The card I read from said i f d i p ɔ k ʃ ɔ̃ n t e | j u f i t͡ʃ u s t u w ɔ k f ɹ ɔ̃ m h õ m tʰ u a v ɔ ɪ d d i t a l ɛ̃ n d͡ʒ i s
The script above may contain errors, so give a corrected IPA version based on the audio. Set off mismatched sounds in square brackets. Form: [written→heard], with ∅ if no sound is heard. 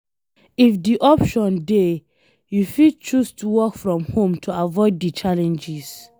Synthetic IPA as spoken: i f d i [p→ʔ] ɔ [k→p] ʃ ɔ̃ n [t→d] e | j u f i t͡ʃ u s t u w ɔ k f ɹ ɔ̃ m h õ m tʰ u a v ɔ ɪ d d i [t→t͡ʃ] a l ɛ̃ n d͡ʒ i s